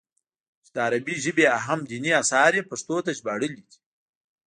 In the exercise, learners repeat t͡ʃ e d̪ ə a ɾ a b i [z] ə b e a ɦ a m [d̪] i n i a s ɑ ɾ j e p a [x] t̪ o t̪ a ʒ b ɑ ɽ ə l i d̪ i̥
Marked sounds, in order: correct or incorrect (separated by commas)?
incorrect, correct, incorrect